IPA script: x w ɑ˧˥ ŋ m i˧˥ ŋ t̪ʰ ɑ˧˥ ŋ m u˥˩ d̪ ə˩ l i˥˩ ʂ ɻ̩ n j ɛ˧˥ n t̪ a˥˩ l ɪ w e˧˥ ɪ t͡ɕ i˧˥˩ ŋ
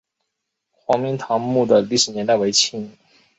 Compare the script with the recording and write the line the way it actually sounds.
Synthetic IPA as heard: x w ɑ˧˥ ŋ m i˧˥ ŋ t̪ʰ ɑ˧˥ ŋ m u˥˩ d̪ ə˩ l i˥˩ ʂ ɻ̩ n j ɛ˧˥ n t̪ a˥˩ ɪ w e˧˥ ɪ t͡ɕʰ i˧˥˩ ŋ

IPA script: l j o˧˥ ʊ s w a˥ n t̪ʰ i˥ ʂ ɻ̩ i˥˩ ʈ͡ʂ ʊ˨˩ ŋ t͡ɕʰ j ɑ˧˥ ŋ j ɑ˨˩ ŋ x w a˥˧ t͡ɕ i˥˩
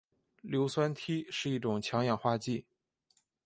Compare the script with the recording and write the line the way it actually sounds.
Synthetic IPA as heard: l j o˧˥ ʊ s w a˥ n t̪ʰ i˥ ʂ ɻ̩ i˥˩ ʈ͡ʂ ʊ˨˩ ŋ t͡ɕʰ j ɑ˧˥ ŋ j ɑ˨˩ ŋ x w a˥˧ t͡ɕ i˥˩

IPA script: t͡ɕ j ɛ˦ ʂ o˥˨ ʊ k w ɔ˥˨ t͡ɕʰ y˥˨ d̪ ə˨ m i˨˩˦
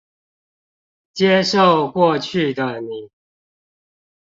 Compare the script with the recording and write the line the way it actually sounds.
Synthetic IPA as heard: t͡ɕ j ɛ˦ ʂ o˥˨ ʊ k w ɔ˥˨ t͡ɕʰ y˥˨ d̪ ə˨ n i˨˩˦

